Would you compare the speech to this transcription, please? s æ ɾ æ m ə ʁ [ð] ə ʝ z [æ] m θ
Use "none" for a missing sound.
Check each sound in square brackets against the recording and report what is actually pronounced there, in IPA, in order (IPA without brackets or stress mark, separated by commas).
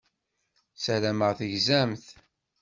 θ, æ